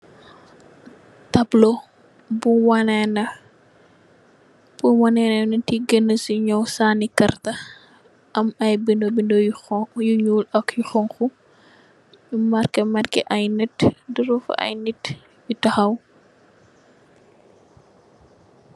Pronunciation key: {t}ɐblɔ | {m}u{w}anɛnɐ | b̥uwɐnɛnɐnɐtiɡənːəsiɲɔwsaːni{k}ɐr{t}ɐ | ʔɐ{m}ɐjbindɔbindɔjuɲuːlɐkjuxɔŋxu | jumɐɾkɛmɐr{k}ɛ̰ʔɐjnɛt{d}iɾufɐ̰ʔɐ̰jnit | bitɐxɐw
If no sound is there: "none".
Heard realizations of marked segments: t, b, w, k, t, m, k, d

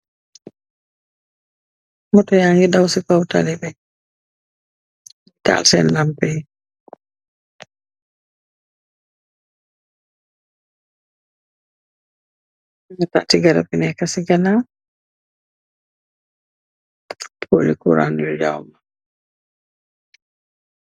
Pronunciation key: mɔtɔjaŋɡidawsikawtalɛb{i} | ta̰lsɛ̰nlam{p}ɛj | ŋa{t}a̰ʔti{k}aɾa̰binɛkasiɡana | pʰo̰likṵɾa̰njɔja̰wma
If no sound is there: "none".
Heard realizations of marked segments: ɛ, p, t, ɡ

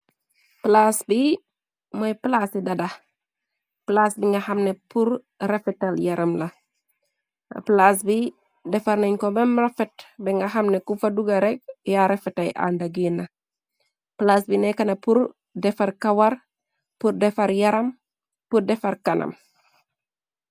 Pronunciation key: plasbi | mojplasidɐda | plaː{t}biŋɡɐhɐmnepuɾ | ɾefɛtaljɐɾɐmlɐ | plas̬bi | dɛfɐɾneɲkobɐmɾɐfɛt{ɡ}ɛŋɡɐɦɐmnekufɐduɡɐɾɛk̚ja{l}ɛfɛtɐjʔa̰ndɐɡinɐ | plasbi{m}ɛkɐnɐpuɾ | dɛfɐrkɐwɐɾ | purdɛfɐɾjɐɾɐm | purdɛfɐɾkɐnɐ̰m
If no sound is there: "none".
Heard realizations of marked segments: s, b, ɾ, n

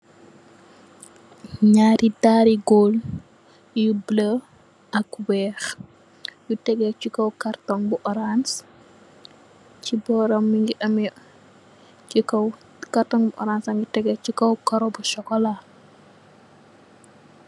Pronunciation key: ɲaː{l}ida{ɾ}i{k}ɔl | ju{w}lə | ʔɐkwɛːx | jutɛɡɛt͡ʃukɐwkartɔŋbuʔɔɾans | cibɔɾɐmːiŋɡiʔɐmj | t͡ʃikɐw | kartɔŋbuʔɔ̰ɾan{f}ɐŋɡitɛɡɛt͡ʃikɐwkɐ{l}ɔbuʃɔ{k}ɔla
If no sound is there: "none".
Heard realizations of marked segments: ɾ, ɾ, ɡ, b, s, ɾ, k

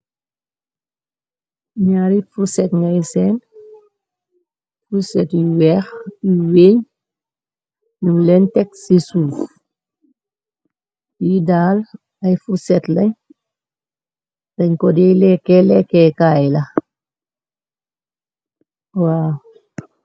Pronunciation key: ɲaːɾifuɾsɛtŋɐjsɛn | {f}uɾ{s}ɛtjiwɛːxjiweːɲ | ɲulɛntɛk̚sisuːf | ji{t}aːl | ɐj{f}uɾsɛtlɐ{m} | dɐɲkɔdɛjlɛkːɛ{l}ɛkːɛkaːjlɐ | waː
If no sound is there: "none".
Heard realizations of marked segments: f, s, d, f, ɲ, l

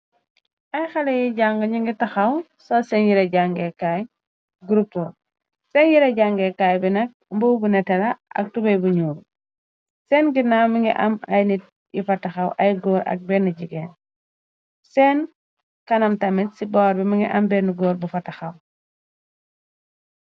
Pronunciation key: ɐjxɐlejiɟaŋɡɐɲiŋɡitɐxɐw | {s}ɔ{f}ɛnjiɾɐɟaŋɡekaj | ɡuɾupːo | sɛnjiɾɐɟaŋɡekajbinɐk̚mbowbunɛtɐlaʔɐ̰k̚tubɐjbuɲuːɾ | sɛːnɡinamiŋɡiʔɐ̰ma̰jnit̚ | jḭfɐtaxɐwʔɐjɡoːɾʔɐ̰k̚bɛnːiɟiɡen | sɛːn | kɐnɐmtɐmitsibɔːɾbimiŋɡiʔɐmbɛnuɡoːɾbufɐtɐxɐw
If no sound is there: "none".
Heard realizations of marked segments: s, s

